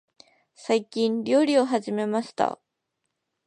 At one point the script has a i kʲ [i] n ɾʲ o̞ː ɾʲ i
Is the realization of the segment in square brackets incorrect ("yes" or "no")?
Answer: yes